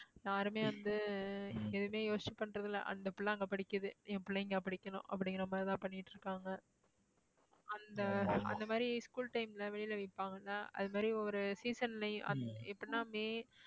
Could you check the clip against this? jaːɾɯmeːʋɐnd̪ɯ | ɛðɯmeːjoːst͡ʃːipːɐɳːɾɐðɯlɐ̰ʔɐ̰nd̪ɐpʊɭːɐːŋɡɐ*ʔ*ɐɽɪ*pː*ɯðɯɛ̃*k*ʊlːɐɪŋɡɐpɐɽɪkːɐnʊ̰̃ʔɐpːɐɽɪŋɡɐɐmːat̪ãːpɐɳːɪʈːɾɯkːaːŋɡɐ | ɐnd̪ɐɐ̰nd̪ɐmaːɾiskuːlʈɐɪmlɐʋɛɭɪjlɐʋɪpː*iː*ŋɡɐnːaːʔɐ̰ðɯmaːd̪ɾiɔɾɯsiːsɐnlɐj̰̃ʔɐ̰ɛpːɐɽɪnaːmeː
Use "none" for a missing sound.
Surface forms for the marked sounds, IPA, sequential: p, kː, p, aː

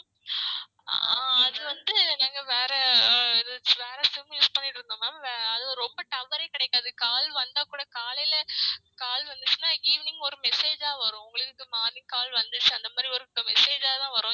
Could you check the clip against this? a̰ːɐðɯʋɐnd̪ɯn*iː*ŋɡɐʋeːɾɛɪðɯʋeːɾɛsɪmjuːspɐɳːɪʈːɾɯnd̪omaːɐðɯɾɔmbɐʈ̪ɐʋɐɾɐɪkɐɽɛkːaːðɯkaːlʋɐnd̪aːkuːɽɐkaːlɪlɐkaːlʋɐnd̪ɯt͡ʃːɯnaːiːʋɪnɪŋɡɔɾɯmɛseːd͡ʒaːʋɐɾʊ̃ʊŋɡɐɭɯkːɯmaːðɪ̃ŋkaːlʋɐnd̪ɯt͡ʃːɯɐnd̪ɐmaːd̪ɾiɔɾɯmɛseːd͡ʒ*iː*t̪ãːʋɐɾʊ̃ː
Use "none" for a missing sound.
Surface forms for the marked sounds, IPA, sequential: aː, aː

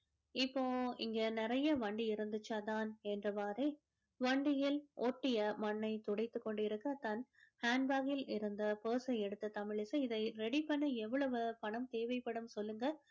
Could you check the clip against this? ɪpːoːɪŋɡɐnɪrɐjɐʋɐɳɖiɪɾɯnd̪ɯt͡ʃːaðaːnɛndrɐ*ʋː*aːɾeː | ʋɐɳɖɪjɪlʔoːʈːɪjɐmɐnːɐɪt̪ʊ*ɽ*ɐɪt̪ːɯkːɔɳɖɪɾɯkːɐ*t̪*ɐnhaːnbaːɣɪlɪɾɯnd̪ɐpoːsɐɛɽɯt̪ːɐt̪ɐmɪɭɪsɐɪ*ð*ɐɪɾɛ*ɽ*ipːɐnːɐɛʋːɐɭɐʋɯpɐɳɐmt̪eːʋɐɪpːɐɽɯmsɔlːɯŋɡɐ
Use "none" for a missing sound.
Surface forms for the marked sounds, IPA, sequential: ʋ, ɽ, t̪, ð, ɽ

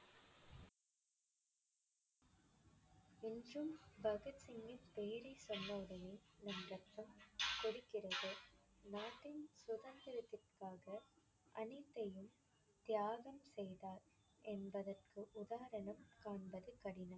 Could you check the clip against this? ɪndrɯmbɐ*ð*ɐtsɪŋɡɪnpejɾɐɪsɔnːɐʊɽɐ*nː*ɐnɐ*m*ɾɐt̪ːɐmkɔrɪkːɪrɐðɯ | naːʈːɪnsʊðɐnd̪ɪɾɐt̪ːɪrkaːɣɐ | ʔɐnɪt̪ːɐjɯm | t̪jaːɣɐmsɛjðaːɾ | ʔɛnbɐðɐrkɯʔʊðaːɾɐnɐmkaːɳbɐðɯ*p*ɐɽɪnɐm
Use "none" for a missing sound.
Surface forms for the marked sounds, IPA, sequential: ɣ, n, m, k

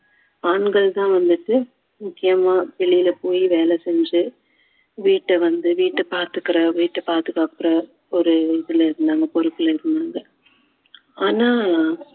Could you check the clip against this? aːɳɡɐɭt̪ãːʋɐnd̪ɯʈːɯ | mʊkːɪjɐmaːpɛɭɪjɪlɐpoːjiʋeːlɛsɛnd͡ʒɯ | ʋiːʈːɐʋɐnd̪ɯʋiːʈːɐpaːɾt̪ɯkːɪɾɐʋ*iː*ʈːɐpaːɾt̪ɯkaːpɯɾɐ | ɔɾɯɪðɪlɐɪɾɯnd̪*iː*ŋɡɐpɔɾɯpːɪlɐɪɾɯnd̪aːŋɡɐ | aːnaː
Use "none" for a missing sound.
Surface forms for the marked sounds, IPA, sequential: iː, aː

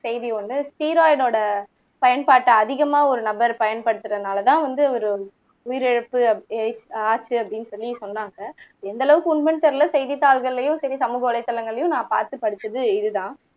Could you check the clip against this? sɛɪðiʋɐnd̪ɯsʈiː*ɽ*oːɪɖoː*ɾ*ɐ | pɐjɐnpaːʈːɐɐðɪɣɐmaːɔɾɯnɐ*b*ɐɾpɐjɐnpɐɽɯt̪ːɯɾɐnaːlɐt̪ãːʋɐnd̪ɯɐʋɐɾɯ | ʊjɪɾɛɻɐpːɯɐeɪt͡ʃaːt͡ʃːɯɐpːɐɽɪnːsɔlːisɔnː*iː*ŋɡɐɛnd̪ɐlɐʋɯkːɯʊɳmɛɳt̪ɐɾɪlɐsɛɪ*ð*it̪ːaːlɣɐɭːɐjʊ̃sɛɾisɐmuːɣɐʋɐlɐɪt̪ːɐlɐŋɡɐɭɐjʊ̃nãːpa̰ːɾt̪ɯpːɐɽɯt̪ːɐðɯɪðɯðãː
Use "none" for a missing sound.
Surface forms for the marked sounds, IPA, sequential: ɾ, ɽ, b, aː, ð

